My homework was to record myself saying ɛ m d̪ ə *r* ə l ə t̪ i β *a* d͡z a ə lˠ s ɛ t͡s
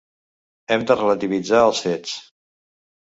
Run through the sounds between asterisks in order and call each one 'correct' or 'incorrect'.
correct, incorrect

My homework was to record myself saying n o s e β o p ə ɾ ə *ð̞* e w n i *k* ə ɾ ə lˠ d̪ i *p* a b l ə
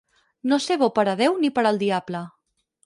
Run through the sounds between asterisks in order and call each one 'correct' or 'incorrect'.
correct, incorrect, incorrect

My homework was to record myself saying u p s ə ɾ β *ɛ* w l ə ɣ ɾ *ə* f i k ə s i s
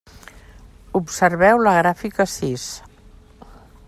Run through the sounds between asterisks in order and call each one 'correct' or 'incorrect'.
correct, incorrect

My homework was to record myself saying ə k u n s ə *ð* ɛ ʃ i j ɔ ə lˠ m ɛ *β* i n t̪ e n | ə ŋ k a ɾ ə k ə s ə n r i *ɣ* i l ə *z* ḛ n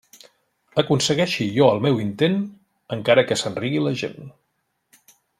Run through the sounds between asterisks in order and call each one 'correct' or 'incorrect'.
incorrect, incorrect, correct, incorrect

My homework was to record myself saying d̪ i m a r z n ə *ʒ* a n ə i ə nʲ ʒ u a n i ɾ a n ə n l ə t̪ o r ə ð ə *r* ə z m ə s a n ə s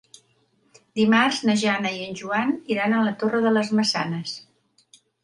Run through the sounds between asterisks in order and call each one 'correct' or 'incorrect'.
correct, incorrect

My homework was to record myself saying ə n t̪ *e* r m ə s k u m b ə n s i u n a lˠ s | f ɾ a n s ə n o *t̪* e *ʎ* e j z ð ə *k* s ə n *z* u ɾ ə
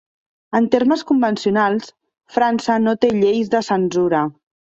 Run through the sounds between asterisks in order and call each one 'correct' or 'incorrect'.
correct, correct, correct, incorrect, correct

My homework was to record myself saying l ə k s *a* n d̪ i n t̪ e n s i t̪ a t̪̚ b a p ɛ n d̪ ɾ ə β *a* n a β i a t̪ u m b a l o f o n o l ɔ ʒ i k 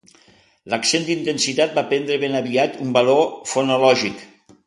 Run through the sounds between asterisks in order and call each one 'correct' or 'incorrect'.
incorrect, incorrect

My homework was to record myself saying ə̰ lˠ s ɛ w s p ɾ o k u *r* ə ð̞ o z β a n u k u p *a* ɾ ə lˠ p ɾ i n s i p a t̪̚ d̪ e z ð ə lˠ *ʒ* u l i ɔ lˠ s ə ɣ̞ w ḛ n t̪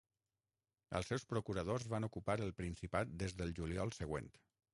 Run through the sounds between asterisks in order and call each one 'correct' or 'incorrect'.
incorrect, correct, correct

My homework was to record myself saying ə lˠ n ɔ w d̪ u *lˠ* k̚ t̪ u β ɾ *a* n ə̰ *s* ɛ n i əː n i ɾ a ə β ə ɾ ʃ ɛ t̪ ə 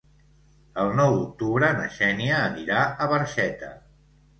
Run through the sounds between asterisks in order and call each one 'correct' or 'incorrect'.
incorrect, incorrect, incorrect

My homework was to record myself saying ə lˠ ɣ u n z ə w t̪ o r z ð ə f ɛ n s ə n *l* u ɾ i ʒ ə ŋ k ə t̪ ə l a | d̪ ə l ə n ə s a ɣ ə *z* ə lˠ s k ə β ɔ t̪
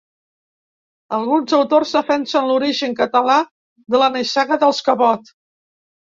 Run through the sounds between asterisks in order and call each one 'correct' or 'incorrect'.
correct, incorrect

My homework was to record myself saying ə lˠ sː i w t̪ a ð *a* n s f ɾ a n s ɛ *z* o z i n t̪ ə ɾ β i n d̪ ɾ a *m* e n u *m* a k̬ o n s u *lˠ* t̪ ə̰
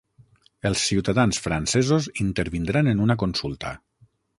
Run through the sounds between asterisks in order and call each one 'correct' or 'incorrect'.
correct, correct, incorrect, incorrect, correct

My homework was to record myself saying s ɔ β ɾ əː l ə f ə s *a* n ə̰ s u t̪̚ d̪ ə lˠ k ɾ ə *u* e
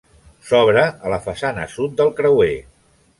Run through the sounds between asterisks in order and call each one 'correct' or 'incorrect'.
correct, incorrect

